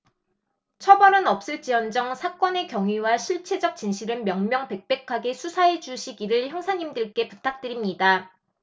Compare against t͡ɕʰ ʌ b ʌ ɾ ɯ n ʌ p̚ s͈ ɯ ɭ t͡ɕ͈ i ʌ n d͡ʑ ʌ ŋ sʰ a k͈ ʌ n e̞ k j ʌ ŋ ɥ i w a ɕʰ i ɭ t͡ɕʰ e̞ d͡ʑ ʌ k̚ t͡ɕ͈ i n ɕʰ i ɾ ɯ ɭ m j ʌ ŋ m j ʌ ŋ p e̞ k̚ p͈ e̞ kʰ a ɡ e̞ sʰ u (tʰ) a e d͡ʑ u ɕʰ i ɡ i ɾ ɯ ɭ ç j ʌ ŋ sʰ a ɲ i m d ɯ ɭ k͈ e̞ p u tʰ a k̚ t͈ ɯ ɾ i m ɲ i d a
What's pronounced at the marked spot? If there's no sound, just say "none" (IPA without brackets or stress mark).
sʰ